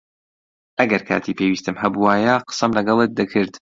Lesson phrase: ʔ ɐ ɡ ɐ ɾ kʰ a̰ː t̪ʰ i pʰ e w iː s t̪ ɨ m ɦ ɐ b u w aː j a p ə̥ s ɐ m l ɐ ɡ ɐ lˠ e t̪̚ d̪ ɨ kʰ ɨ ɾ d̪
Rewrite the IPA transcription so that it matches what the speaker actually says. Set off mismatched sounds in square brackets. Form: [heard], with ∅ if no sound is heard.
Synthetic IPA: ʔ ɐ ɡ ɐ ɾ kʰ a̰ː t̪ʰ i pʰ e w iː s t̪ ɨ m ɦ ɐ b u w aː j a [q] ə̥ s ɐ m l ɐ ɡ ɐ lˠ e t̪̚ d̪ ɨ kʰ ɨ ɾ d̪